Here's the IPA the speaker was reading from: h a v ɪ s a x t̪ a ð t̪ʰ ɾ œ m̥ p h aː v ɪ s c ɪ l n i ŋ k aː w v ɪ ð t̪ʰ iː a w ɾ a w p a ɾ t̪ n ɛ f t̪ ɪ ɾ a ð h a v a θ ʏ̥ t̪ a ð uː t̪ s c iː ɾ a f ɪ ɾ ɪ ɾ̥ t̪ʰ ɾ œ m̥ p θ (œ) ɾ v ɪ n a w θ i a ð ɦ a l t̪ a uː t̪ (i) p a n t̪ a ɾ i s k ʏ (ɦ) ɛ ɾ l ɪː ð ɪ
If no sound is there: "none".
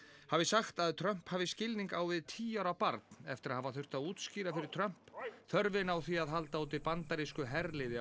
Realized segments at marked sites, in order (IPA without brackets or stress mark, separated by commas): œ, ɪ, ɦ